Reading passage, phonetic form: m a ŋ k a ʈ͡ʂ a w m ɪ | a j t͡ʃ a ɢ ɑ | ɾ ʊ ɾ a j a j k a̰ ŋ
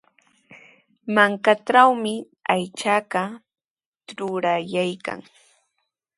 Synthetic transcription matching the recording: m a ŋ k a ʈ͡ʂ a w m ɪ | a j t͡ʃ a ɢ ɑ | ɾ ʊ ɾ a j a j k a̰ ŋ